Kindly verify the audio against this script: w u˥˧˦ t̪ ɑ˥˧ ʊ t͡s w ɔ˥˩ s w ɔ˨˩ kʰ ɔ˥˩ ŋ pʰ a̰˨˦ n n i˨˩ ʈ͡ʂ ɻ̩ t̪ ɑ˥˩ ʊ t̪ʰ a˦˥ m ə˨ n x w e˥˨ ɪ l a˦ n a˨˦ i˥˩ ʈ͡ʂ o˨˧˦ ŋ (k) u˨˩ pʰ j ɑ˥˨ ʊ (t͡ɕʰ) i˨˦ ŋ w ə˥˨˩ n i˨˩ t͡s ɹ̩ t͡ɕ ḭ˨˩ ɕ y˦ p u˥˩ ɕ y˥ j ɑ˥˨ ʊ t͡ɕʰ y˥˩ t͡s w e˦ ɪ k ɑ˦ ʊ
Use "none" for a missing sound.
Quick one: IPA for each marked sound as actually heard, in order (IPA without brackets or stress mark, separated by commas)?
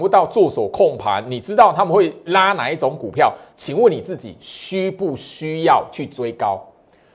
k, t͡ɕʰ